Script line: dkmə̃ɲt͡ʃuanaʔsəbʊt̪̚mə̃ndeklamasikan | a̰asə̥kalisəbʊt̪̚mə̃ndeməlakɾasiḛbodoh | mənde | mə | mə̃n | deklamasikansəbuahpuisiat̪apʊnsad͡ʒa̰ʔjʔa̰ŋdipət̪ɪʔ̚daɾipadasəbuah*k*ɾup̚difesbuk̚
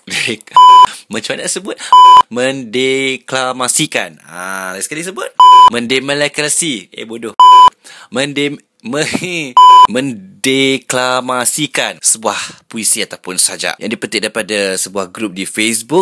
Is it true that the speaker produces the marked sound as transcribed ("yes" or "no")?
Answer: no